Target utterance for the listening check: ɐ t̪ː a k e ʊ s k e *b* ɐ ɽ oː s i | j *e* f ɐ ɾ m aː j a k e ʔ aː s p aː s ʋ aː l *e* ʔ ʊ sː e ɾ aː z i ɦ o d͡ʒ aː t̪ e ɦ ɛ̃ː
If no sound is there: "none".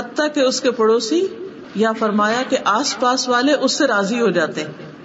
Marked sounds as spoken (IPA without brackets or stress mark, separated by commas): p, a, e